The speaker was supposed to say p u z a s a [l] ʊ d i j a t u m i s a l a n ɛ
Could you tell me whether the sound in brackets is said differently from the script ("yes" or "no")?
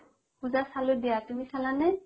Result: no